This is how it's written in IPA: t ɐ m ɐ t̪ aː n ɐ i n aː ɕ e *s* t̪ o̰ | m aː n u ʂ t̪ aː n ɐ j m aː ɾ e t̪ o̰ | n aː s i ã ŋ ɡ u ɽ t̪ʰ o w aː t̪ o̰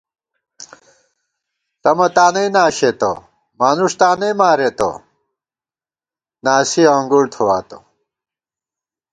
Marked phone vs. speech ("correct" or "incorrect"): incorrect